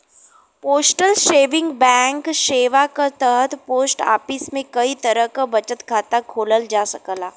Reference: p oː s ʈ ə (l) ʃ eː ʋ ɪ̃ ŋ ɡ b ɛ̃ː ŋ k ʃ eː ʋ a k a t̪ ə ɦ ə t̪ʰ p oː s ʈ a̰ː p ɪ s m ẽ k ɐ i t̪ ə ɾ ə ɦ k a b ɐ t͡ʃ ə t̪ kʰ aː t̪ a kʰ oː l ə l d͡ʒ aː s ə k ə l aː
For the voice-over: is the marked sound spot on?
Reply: yes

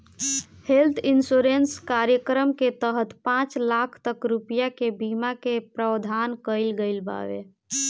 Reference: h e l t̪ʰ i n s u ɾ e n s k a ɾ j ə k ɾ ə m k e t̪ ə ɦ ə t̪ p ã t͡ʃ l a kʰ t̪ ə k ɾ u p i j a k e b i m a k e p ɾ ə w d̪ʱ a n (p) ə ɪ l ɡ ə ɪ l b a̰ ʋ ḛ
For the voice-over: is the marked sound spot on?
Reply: no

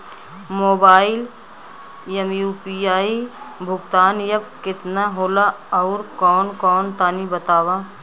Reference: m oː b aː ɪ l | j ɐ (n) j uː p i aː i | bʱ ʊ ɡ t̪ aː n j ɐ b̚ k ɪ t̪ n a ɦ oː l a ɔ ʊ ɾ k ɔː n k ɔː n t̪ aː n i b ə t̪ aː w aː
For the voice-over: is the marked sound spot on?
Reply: no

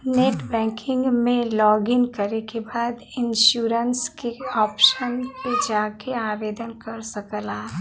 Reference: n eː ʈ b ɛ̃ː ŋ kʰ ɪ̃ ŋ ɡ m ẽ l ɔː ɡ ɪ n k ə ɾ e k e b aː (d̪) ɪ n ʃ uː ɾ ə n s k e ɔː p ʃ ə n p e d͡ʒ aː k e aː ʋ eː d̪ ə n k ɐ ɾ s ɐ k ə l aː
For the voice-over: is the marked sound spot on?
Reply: yes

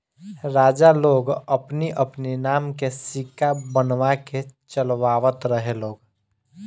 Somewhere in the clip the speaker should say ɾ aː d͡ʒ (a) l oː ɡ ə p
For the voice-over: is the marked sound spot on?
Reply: yes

